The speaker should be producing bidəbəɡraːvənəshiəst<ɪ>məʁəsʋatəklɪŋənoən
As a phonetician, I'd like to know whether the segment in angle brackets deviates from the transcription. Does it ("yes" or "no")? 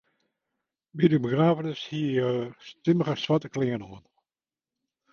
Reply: no